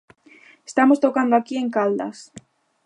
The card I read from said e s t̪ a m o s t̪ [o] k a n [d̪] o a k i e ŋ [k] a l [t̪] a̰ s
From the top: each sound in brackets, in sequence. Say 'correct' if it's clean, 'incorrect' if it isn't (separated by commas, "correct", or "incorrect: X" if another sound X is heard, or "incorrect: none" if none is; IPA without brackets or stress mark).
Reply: correct, correct, correct, incorrect: d̪